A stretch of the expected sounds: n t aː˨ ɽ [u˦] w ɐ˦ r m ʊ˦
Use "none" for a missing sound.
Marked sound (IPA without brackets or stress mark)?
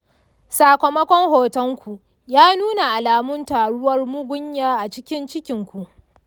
ʊ˦